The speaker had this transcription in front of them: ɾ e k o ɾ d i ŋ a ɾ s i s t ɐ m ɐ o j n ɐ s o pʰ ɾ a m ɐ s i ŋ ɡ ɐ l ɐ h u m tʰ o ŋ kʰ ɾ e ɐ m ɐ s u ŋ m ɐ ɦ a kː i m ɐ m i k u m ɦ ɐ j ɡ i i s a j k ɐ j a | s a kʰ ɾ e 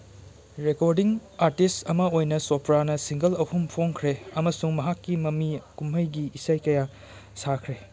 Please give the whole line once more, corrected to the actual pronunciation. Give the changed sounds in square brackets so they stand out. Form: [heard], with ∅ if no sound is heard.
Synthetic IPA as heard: ɾ e k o ɾ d i ŋ a ɾ [t] i s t ɐ m ɐ o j n ɐ s o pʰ ɾ a [n] ɐ s i ŋ ɡ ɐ l ɐ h u m [pʰ] o ŋ kʰ ɾ e ɐ m ɐ s u ŋ m ɐ ɦ a kː i m ɐ m i k u m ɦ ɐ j ɡ i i s a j k ɐ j a | s a kʰ ɾ e